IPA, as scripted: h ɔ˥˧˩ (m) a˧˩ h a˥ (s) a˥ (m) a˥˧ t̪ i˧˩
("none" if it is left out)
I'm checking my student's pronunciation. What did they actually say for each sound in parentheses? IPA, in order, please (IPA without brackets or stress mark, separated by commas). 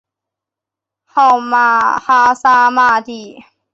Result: m, s, m